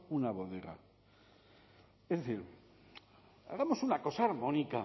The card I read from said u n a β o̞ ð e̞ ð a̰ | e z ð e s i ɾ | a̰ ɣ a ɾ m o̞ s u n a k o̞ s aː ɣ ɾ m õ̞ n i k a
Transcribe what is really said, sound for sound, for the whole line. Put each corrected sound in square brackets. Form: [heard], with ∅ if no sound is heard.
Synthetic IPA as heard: u n a β o̞ ð e̞ [ɣ] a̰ | e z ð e [θ] i ɾ | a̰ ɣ a [∅] m o̞ s u n a k o̞ s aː [∅] ɾ m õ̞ n i k a